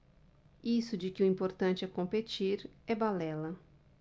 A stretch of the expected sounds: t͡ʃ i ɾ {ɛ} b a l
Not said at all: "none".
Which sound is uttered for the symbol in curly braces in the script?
ɛ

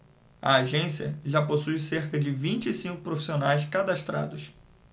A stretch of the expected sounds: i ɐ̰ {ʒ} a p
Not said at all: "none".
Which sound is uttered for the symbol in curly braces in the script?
ʒ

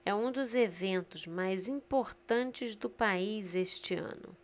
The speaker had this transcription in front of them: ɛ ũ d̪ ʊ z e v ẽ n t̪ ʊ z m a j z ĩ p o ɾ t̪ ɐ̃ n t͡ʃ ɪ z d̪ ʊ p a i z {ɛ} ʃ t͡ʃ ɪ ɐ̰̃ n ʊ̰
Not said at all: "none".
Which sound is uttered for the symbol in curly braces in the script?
e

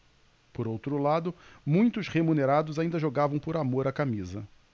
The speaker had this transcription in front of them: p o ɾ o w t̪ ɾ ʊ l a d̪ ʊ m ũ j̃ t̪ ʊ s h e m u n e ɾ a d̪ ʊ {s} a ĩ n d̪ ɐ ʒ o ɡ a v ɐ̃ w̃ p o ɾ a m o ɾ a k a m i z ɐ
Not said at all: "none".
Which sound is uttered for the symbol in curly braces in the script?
z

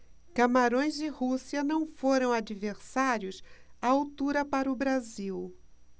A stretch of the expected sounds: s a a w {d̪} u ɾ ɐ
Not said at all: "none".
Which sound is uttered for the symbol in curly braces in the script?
t̪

